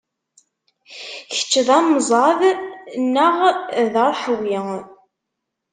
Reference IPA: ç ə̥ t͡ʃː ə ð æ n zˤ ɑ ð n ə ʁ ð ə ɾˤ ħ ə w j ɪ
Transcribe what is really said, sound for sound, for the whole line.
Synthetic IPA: ç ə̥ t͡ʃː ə ð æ m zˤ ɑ ð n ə ʁ ð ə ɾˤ ħ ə w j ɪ